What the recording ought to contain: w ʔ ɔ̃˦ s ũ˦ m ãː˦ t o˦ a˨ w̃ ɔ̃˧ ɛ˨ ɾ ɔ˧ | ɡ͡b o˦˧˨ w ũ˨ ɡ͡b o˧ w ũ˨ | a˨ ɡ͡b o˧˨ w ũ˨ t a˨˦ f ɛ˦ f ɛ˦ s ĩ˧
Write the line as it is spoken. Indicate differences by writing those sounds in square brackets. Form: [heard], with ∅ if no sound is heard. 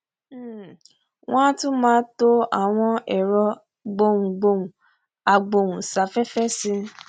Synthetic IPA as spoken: w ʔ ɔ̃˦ [t] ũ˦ m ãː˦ t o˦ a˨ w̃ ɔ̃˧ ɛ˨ ɾ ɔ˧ | ɡ͡b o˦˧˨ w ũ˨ ɡ͡b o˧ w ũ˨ | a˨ ɡ͡b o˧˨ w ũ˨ [s] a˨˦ f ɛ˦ f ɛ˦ s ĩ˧